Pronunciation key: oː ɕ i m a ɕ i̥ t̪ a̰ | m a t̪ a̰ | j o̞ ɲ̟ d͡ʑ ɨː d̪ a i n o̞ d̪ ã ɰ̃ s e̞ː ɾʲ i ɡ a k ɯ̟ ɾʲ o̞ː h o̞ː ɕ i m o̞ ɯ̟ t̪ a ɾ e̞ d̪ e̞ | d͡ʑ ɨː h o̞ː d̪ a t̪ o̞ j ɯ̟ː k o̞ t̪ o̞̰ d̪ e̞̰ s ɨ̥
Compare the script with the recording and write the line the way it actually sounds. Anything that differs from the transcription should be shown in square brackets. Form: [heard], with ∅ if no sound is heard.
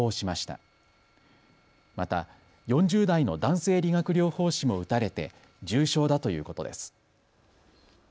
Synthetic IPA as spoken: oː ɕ i m a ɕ i̥ t̪ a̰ | m a t̪ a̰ | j [õ̞] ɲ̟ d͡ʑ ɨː d̪ a i n o̞ d̪ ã ɰ̃ s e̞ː ɾʲ i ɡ a k ɯ̟ ɾʲ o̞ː h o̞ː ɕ i m o̞ ɯ̟ t̪ a ɾ e̞ [t̪] e̞ | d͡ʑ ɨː [ɕ] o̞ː d̪ a t̪ o̞ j ɯ̟ː k o̞ t̪ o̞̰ d̪ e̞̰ s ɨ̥